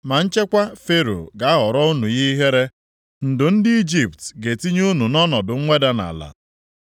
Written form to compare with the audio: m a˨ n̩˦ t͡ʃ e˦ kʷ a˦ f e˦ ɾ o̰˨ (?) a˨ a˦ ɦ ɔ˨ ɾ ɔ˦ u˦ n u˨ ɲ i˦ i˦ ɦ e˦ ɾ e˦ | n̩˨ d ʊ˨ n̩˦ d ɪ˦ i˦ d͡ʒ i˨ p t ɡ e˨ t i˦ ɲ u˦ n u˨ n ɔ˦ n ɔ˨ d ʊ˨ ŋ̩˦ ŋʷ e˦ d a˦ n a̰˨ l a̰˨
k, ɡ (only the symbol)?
ɡ